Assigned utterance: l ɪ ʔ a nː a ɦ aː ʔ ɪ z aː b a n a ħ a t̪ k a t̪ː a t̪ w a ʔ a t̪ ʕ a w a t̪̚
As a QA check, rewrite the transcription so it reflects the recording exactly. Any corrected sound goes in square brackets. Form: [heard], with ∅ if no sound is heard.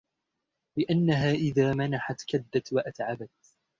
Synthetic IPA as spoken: l ɪ ʔ a nː a ɦ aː ʔ ɪ [ð] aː [m] a n a ħ a t̪ k a [d̪ː] a t̪ w a ʔ a t̪ ʕ a [b] a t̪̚